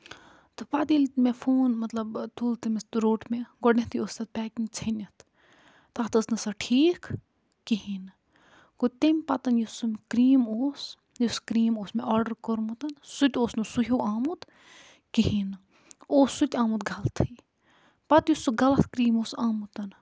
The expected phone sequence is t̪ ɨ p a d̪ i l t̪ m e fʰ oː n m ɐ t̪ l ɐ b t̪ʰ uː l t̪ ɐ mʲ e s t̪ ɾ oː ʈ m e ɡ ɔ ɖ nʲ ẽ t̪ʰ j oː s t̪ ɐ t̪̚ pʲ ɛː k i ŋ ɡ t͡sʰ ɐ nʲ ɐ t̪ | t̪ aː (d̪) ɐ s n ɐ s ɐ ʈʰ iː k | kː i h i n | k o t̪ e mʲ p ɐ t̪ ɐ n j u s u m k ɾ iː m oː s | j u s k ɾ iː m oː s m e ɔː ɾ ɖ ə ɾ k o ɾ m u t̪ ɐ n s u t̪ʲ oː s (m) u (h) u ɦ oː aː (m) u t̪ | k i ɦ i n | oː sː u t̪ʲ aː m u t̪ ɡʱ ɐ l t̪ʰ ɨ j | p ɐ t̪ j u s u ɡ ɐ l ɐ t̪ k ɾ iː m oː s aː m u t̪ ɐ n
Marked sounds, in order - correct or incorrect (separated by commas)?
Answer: incorrect, incorrect, incorrect, correct